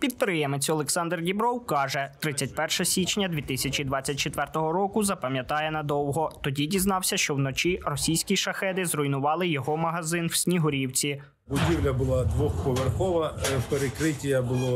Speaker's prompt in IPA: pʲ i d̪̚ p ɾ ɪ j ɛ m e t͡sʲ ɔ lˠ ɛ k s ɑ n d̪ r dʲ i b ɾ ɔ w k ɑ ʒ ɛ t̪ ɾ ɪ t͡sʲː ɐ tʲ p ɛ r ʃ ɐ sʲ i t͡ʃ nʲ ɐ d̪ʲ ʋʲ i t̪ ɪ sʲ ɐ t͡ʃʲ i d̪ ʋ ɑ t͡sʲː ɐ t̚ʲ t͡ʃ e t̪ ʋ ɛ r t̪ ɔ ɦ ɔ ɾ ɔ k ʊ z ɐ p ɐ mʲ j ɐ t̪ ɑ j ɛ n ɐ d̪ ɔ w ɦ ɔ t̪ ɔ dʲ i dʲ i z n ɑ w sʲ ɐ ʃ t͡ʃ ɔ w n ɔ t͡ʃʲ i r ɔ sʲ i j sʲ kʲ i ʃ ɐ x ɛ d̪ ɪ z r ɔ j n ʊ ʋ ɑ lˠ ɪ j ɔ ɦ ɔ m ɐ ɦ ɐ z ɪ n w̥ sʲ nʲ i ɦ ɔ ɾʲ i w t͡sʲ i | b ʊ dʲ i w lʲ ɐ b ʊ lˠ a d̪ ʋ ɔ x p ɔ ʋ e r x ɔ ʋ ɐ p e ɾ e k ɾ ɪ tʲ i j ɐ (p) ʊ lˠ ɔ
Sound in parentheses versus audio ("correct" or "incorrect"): incorrect